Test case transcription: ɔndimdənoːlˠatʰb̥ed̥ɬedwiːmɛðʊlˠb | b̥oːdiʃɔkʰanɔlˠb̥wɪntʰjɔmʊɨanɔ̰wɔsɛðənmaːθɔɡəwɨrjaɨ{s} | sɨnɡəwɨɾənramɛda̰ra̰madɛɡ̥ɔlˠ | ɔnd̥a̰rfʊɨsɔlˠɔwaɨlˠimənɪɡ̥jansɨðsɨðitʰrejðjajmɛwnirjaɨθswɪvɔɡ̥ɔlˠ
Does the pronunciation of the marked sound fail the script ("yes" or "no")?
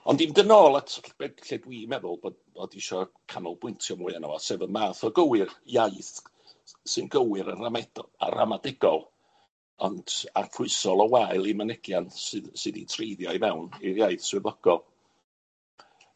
yes